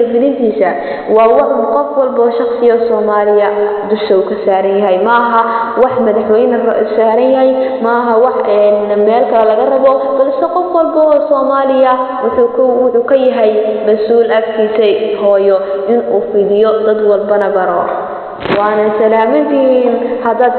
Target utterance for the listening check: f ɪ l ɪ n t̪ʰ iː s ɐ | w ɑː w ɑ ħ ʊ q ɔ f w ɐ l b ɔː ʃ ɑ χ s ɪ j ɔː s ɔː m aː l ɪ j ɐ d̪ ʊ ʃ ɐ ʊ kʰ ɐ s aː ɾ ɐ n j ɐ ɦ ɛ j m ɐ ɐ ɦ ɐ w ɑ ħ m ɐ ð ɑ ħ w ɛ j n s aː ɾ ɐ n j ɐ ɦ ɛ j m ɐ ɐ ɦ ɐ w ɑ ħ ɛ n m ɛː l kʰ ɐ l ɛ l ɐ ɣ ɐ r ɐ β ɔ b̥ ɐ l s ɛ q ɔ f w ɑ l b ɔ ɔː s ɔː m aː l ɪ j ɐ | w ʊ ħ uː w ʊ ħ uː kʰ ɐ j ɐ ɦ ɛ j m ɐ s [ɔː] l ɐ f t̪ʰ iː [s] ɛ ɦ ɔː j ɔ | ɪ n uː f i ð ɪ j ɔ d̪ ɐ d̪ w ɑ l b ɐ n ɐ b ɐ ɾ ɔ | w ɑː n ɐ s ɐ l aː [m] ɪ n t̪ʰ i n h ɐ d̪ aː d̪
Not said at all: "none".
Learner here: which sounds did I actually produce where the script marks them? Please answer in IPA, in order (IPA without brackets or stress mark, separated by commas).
uː, s, m